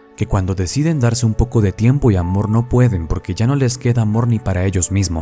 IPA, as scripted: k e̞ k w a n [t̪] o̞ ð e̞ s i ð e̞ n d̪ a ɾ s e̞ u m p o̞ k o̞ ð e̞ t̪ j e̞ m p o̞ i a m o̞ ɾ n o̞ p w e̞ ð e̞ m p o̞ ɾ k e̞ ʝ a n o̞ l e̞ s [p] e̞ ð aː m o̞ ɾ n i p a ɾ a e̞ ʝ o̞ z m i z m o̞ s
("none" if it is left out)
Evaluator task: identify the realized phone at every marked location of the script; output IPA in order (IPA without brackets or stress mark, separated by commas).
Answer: d̪, k